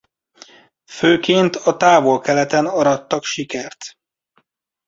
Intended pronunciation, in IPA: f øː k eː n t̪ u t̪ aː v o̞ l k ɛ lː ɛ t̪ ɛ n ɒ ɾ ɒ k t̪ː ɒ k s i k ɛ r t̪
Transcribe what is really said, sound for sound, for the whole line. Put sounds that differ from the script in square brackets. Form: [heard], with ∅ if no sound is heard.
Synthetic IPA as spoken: f øː k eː n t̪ [ɒ] t̪ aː v o̞ l k ɛ [l] ɛ t̪ ɛ n ɒ ɾ ɒ [∅] t̪ː ɒ k [ʃ] i k ɛ r t̪

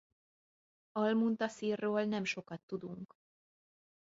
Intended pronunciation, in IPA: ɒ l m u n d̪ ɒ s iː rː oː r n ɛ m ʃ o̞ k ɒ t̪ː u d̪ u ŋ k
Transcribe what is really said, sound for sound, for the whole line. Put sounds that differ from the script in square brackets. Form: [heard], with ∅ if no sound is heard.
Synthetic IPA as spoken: ɒ l m u n [t̪] ɒ s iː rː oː [l] n ɛ m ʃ o̞ k ɒ t̪ː u d̪ u ŋ k

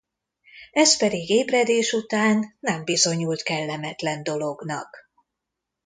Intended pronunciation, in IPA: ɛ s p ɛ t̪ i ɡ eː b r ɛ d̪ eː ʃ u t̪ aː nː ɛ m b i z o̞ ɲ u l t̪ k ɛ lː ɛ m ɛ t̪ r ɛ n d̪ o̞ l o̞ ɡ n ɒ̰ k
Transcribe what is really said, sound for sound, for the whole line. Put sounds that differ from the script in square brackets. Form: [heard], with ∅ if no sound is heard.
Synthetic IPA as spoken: ɛ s p ɛ [d̪] i ɡ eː b r ɛ d̪ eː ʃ u t̪ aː nː ɛ m b i z o̞ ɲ u l t̪ k ɛ lː ɛ m ɛ t̪ [l] ɛ n d̪ o̞ l o̞ ɡ n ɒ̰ k

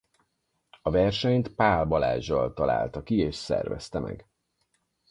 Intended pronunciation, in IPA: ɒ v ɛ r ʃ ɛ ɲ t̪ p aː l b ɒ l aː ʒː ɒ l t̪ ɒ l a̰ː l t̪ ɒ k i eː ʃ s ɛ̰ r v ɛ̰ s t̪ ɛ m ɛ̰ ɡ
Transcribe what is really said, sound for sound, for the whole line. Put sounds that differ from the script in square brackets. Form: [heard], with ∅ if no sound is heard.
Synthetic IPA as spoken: ɒ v ɛ r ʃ ɛ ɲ t̪ p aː l b ɒ l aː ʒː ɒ l t̪ ɒ l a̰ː l t̪ ɒ k i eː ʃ s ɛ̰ r v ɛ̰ s t̪ ɛ m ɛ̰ ɡ

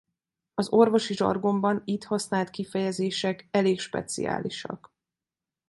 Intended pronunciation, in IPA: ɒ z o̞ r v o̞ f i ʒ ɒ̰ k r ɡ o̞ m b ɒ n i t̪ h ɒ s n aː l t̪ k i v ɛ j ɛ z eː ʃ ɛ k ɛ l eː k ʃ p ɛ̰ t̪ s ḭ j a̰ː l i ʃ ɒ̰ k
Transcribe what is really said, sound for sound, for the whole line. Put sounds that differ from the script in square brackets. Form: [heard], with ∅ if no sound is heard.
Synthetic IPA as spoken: ɒ z o̞ r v o̞ [ʃ] i ʒ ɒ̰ [∅] r ɡ o̞ m b ɒ n i t̪ h ɒ s n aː l t̪ k i [f] ɛ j ɛ z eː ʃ ɛ k ɛ l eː k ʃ p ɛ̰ t̪ s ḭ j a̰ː l i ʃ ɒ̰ k

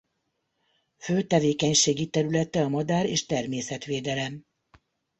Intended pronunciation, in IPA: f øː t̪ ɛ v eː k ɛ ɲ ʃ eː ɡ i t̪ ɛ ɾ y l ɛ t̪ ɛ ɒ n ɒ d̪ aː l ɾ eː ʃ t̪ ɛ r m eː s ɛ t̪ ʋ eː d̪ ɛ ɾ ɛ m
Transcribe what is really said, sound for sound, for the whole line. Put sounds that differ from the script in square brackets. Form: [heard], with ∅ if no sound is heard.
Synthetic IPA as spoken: f øː t̪ ɛ v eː k ɛ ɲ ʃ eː ɡ i t̪ ɛ ɾ y l ɛ t̪ ɛ ɒ [m] ɒ d̪ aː [∅] ɾ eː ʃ t̪ ɛ r m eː s ɛ t̪ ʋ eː d̪ ɛ [l] ɛ m

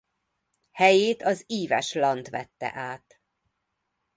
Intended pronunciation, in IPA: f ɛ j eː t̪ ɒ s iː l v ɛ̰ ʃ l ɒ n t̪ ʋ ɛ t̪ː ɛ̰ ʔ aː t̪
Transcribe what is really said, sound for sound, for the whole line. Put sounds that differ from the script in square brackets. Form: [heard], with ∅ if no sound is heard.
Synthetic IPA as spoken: [h] ɛ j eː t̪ ɒ [z] iː [∅] v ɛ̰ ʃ l ɒ n t̪ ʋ ɛ t̪ː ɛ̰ ʔ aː t̪

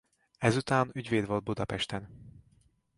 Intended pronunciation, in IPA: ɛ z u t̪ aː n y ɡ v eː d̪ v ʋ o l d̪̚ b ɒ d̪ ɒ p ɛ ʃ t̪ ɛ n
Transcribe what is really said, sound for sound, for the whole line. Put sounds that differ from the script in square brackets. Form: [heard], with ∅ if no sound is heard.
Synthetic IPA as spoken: ɛ z u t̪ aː n y [ɟ] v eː d̪ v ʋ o l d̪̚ b [u] d̪ ɒ p ɛ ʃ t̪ ɛ n

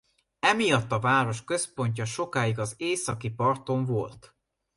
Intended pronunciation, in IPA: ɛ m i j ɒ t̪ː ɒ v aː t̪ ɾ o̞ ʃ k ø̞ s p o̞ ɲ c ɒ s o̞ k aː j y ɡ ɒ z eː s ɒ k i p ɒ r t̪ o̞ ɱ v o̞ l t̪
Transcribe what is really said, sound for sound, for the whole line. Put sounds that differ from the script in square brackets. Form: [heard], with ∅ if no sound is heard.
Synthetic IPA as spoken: ɛ m i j ɒ t̪ː ɒ v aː [∅] ɾ o̞ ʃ k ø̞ s p o̞ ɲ c ɒ [ʃ] o̞ k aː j [i] ɡ ɒ z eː s ɒ k i p ɒ r t̪ o̞ ɱ v o̞ l t̪

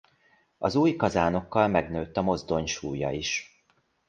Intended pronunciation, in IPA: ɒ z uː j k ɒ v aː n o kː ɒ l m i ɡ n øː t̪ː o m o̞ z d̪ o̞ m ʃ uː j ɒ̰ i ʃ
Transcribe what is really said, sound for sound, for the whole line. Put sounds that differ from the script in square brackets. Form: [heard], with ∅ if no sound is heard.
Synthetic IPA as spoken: ɒ z uː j k ɒ [z] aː n o kː ɒ l m [ɛ] ɡ n øː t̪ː [ɒ] m o̞ z d̪ o̞ [ɲ] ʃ uː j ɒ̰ i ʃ

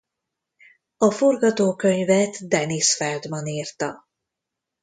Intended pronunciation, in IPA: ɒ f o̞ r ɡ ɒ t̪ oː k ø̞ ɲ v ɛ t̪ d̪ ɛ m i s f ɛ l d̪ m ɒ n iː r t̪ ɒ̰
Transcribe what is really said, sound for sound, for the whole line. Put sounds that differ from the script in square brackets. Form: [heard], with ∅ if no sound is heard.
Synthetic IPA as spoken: ɒ f o̞ r ɡ ɒ t̪ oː k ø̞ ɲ v ɛ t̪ d̪ ɛ [n] i s f ɛ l d̪ m ɒ n iː r t̪ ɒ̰

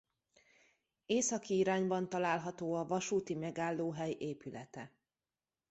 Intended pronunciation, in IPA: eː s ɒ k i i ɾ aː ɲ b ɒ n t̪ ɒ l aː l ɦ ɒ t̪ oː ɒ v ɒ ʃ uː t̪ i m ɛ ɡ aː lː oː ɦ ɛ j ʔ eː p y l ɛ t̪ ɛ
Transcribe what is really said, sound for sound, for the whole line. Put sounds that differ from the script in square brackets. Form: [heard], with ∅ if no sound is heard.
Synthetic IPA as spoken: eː s ɒ k i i ɾ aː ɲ b ɒ n t̪ ɒ l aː l ɦ ɒ t̪ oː ɒ v ɒ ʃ uː t̪ i m ɛ ɡ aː lː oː ɦ ɛ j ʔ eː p y l ɛ t̪ ɛ

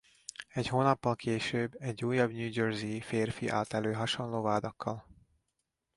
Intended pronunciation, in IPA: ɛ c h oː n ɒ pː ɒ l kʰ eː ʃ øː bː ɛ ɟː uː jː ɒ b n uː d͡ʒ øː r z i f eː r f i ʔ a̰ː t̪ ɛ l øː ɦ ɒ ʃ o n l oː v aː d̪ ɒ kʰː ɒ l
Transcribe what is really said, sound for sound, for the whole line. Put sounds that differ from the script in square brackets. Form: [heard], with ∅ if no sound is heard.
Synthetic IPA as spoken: ɛ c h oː n ɒ pː ɒ l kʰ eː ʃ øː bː ɛ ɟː uː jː ɒ b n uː d͡ʒ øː r z i f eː r f i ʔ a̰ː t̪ ɛ l øː ɦ ɒ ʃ o n l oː v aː d̪ ɒ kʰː ɒ l

